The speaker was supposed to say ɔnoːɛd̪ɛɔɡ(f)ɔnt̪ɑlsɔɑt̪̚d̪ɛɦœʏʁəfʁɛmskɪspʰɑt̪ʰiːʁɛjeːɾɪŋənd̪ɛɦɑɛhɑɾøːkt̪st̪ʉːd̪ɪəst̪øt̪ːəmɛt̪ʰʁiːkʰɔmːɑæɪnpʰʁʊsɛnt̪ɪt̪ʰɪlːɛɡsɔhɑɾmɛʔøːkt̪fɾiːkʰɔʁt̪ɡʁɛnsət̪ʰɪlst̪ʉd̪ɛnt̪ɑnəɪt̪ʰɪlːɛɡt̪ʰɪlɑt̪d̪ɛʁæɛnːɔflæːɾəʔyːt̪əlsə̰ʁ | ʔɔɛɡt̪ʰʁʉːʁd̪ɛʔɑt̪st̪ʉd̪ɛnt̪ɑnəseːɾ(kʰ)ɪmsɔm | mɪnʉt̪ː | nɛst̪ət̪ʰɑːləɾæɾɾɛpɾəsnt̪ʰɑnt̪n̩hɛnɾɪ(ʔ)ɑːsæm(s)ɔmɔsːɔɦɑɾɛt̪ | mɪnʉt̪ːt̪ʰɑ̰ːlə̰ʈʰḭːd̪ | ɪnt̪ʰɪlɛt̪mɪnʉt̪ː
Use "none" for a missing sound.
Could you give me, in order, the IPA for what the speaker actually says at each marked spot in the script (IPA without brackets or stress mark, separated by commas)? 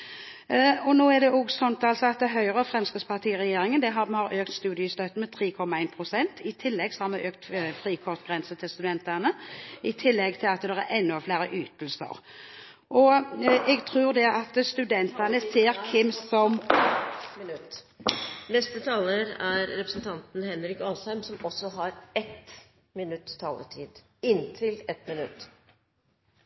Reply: s, kʰ, k, s